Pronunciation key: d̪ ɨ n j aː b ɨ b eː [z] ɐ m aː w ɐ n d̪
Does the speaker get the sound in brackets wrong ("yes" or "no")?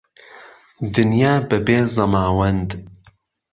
no